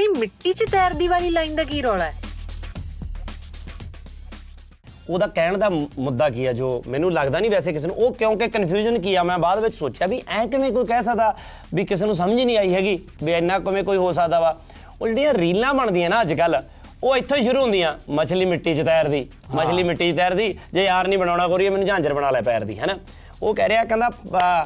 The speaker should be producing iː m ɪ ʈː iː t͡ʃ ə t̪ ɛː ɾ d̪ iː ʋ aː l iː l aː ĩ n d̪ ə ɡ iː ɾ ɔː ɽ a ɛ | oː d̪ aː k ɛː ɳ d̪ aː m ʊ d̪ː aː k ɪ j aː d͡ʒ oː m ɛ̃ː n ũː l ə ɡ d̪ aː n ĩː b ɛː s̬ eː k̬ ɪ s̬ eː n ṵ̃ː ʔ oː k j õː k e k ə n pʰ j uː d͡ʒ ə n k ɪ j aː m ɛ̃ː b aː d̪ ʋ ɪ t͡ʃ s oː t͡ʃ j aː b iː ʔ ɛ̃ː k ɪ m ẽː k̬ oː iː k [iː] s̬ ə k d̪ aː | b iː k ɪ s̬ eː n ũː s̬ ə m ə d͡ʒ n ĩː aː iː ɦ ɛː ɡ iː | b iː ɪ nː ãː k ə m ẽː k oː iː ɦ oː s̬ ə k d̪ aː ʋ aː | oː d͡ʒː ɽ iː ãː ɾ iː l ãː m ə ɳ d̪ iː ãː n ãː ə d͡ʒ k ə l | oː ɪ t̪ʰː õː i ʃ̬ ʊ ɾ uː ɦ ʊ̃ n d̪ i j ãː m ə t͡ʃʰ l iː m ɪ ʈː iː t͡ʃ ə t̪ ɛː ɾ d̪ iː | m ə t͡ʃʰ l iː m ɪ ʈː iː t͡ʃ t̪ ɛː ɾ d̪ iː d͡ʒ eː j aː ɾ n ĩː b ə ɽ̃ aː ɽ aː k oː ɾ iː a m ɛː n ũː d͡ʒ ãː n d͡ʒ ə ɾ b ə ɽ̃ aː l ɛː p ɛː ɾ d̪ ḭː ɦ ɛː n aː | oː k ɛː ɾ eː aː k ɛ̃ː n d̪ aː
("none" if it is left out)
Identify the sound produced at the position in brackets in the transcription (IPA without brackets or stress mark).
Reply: ɛː